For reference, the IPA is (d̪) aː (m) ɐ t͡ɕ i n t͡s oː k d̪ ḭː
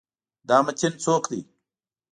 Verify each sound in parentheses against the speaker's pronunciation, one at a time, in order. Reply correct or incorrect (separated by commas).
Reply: correct, correct